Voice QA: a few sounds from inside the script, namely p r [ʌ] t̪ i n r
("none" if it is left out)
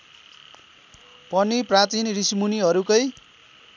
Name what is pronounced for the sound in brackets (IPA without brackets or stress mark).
a